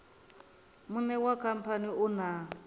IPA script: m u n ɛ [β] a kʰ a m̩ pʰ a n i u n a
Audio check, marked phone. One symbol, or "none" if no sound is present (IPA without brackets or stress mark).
w